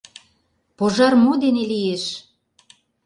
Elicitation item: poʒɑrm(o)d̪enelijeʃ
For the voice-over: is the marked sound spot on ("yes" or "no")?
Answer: yes